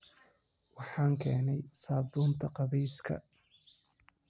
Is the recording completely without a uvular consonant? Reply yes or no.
no